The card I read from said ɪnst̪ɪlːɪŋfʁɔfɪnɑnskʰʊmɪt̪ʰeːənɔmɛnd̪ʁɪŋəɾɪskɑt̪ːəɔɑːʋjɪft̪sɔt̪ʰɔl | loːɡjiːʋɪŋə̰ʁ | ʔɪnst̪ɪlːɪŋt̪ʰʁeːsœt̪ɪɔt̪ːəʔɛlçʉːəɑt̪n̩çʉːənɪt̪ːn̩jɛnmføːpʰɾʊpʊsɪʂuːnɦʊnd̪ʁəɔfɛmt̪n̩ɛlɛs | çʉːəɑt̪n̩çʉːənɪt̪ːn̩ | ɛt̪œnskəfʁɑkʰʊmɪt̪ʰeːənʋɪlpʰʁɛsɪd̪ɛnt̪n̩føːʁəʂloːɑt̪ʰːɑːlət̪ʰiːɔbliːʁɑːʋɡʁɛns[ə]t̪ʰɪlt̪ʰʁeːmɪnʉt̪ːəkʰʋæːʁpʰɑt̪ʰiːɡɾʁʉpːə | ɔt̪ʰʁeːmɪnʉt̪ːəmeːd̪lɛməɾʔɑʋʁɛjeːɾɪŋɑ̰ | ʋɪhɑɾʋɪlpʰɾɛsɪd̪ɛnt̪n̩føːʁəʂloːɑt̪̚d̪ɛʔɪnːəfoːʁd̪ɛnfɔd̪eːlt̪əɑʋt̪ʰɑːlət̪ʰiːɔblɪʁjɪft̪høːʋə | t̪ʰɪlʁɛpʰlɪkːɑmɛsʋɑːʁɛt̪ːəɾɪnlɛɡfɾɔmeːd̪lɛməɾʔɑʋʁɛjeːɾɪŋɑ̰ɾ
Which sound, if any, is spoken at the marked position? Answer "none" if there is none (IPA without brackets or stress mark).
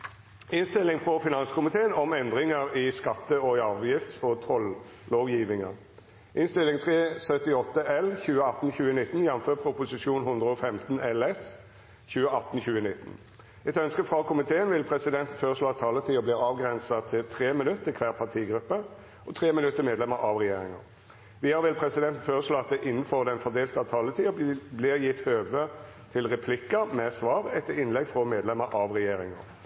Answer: ɑ